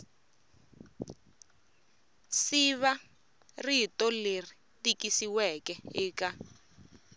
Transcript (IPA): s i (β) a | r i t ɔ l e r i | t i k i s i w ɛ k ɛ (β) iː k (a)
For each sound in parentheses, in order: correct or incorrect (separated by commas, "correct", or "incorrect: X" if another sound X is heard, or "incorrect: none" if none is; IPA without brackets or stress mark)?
correct, incorrect: none, correct